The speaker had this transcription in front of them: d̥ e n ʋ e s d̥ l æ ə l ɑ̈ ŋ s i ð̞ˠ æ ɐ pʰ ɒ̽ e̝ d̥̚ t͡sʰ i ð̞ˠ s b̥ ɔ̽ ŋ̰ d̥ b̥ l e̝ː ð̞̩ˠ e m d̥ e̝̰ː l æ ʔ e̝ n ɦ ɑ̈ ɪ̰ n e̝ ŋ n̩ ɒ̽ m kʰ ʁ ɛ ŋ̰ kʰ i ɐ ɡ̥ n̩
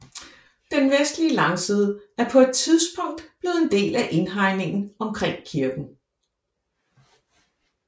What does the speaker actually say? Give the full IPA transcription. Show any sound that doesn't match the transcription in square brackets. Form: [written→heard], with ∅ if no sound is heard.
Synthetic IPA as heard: d̥ e n ʋ e s d̥ l [æ→i] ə l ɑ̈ ŋ s i ð̞ˠ æ ɐ pʰ ɒ̽ e̝ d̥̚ t͡sʰ i ð̞ˠ s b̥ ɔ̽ ŋ̰ d̥ b̥ l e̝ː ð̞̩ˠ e [m→n] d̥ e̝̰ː l æ ʔ e̝ n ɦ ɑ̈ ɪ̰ n e̝ ŋ n̩ ɒ̽ m kʰ ʁ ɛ ŋ̰ kʰ i ɐ ɡ̥ n̩

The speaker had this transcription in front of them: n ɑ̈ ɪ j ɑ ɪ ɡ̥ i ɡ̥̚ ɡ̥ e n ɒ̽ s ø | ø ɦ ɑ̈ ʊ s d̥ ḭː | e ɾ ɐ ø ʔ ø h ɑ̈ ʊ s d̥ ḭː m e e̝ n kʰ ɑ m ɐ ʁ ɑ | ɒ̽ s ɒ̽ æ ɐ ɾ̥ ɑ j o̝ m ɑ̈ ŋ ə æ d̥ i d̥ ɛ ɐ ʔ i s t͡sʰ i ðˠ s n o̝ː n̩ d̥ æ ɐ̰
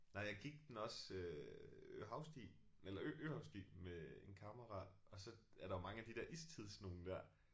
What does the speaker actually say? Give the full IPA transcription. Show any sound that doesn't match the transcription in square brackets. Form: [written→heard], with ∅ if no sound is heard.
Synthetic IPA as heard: n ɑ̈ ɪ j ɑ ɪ ɡ̥ i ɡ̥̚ [ɡ̥→d̥] e n ɒ̽ s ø | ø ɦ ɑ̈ ʊ s d̥ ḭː | e [ɾ→l] ɐ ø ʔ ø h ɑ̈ ʊ s d̥ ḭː m e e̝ n kʰ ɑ m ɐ ʁ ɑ | ɒ̽ s ɒ̽ æ ɐ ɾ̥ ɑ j o̝ m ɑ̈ ŋ ə æ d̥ i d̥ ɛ ɐ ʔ i s t͡sʰ i ðˠ s n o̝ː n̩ d̥ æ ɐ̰

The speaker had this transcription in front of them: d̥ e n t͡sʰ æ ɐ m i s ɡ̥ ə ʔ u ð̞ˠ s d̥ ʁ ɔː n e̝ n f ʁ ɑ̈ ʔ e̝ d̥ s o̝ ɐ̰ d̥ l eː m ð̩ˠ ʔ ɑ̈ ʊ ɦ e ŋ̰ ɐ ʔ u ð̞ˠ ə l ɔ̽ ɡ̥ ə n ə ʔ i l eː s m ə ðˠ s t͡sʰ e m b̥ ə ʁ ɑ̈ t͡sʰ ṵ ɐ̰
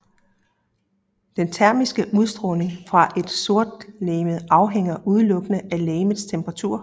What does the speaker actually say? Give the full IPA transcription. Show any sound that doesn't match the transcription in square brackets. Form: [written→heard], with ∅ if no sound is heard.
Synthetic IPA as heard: d̥ e n t͡sʰ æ ɐ m i s ɡ̥ ə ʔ u ð̞ˠ s d̥ ʁ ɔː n e̝ [n→ŋ] f ʁ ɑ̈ ʔ e̝ d̥ s o̝ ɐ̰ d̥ l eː m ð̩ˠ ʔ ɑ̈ ʊ ɦ e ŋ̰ ɐ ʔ u ð̞ˠ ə l ɔ̽ ɡ̥ ə n ə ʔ [i→æ] l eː [s→∅] m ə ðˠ s t͡sʰ e m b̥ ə ʁ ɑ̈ t͡sʰ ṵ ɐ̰

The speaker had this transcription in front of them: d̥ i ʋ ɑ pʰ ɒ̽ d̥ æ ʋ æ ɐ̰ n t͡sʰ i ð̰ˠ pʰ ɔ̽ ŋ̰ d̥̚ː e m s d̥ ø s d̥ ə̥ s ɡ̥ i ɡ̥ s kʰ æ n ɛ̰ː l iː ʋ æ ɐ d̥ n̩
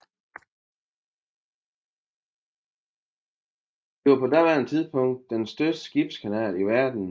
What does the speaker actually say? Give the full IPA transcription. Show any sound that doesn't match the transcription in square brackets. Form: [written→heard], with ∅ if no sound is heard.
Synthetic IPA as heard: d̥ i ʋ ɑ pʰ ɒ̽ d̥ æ ʋ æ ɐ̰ n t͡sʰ i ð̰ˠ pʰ ɔ̽ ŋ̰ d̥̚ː e [m→n] s d̥ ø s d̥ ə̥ s ɡ̥ i [ɡ̥→b̥] s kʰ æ n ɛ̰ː l [iː→i] ʋ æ ɐ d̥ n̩

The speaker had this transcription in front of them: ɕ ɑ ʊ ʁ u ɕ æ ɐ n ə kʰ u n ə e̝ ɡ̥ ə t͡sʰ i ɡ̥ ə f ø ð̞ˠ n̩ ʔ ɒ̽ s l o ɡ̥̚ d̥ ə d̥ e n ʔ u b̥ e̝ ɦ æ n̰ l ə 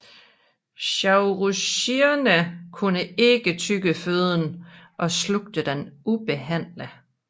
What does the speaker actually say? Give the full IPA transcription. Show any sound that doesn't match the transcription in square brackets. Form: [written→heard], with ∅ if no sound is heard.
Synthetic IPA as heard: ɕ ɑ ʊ ʁ u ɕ [æ→i] ɐ n ə kʰ u n ə e̝ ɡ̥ ə t͡sʰ [i→y] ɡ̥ ə f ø ð̞ˠ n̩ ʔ ɒ̽ s l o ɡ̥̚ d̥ ə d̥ e n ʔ u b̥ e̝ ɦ æ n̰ l ə

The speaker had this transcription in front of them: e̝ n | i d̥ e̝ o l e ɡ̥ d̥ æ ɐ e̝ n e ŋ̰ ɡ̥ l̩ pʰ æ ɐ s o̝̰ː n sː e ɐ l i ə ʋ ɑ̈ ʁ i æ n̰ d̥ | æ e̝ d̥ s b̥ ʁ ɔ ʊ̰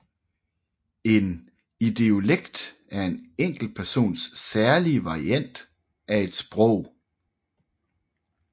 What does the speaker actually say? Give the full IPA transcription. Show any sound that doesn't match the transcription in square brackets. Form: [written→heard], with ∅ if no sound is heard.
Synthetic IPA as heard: e̝ n | i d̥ e̝ o l e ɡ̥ d̥ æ ɐ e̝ n e ŋ̰ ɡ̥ l̩ pʰ æ ɐ s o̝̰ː n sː [e→æ] ɐ l i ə ʋ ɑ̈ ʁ i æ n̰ d̥ | æ e̝ d̥ s b̥ ʁ ɔ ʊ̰

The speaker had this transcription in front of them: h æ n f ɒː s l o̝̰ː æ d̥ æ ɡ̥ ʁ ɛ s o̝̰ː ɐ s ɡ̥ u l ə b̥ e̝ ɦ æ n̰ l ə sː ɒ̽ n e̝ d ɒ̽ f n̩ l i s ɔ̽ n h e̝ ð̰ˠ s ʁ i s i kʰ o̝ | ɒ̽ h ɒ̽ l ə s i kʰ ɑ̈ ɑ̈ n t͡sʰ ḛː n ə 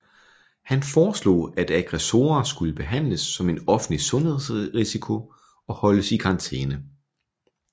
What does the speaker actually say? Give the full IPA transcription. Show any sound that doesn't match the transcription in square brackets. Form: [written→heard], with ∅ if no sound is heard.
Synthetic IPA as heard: h æ n f ɒː s l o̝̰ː æ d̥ æ ɡ̥ ʁ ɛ s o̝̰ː ɐ s ɡ̥ u l ə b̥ e̝ ɦ æ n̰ l ə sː ɒ̽ [n→m] e̝ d ɒ̽ f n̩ l i s ɔ̽ n h e̝ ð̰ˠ s ʁ i s i kʰ o̝ | ɒ̽ h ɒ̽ l ə s i kʰ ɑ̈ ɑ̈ n t͡sʰ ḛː n ə

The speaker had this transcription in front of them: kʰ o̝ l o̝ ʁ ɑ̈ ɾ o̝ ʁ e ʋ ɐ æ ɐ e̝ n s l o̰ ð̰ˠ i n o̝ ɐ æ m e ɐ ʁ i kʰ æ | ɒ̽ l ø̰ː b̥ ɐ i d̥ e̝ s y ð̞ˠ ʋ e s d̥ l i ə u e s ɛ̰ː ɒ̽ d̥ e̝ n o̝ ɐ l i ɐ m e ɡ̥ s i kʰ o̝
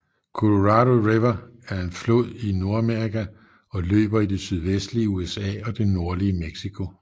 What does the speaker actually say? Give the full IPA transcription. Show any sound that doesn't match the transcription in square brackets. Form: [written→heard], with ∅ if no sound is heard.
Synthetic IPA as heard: kʰ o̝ l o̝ ʁ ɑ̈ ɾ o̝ ʁ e ʋ ɐ æ ɐ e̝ n [s→f] l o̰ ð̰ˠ i n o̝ ɐ æ m e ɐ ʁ i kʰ æ | ɒ̽ l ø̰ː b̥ ɐ i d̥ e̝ s y ð̞ˠ ʋ e s d̥ l i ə u e s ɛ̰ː ɒ̽ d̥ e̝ n o̝ ɐ l i [ɐ→ə] m e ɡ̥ s i kʰ o̝

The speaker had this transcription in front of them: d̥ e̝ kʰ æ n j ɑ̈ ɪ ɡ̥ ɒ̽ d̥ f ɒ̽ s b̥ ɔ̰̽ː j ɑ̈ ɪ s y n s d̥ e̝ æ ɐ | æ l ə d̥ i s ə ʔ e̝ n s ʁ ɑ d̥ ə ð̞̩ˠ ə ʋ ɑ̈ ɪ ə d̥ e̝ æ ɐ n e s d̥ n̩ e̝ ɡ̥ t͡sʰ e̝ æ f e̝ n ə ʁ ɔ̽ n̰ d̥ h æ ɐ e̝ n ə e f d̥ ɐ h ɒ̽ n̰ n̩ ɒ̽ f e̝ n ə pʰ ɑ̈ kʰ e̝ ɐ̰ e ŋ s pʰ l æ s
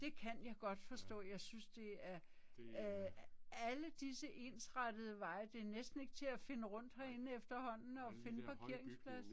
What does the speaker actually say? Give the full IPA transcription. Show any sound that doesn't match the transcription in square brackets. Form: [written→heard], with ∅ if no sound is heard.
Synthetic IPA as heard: d̥ e̝ kʰ æ n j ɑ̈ ɪ ɡ̥ ɒ̽ d̥ f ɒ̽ s [b̥→d̥] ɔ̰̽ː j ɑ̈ ɪ s y n s d̥ e̝ æ ɐ | æ l ə d̥ i s ə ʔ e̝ n s ʁ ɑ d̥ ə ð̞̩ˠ ə ʋ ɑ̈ ɪ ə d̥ e̝ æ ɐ n e s d̥ n̩ e̝ ɡ̥ t͡sʰ e̝ æ f e̝ n ə ʁ ɔ̽ n̰ d̥ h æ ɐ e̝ n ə e f d̥ ɐ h ɒ̽ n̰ n̩ ɒ̽ f e̝ n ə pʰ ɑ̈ kʰ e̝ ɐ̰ e ŋ s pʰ l æ s

